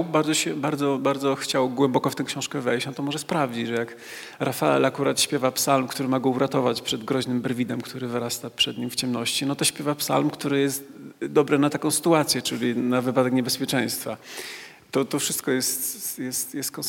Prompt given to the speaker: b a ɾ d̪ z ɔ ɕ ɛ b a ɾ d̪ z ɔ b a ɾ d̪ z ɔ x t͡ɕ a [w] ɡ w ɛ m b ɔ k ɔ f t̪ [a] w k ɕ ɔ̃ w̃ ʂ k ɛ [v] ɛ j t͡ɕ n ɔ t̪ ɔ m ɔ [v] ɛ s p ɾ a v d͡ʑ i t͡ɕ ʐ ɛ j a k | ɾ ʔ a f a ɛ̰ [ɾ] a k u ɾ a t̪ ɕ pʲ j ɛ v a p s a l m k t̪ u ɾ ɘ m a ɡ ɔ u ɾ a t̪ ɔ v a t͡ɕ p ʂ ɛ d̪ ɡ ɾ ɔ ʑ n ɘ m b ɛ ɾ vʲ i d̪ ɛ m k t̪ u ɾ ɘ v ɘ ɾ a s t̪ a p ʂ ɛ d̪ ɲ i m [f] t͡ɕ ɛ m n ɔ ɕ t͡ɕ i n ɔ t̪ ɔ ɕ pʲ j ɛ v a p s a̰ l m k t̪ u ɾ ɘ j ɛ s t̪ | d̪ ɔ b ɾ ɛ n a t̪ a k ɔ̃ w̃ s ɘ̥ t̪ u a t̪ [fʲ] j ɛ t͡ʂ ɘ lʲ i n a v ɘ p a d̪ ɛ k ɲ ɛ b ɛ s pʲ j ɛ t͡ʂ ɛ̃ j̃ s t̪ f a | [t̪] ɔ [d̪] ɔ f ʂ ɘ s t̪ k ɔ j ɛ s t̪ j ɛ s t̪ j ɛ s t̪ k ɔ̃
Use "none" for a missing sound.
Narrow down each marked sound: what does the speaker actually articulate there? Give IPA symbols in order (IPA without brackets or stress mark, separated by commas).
w, ɛ, v, ʐ, l, f, sʲ, t̪, t̪